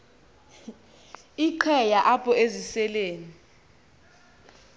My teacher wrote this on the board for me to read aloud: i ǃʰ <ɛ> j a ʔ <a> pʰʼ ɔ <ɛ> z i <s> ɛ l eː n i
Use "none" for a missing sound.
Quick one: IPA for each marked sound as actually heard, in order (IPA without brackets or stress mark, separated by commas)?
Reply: ɛ, a, e, s